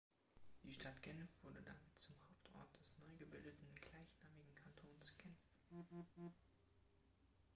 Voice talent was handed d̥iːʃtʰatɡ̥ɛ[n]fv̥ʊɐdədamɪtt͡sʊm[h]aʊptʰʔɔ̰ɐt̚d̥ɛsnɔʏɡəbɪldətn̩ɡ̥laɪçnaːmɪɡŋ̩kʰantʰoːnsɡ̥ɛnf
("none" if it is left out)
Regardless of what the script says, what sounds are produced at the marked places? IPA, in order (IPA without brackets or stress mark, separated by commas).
n, h